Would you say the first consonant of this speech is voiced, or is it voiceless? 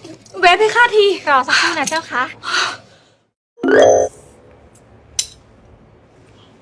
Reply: voiced